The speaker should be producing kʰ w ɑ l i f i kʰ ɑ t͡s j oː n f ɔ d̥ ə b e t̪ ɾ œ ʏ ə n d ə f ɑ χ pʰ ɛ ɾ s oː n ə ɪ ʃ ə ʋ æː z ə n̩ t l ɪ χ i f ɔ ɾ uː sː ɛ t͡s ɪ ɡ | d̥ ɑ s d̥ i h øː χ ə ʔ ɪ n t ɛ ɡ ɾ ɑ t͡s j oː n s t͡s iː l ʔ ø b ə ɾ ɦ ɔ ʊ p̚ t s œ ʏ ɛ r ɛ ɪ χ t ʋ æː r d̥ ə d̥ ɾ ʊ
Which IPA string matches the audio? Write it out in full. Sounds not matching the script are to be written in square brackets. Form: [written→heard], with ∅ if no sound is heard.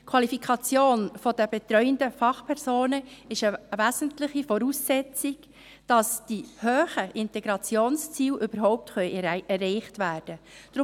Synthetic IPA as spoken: kʰ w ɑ l i f i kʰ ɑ t͡s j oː n f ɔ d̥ ə b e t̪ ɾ œ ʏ ə n d ə f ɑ χ pʰ ɛ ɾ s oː n ə ɪ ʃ ə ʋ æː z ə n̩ t l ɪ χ i f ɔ ɾ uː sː ɛ t͡s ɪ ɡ | d̥ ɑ s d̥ i h øː χ ə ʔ ɪ n t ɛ ɡ ɾ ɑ t͡s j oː n s t͡s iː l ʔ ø b ə ɾ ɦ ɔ ʊ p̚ t [s→χ] œ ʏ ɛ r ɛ ɪ χ t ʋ æː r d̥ ə d̥ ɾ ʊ